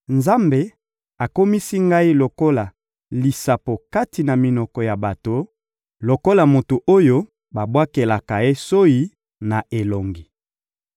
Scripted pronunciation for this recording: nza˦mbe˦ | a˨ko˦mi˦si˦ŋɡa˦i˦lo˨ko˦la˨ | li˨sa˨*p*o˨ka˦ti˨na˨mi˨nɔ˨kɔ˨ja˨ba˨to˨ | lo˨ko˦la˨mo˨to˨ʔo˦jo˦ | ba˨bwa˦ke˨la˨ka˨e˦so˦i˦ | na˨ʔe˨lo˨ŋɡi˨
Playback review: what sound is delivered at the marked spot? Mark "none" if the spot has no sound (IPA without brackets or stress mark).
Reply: p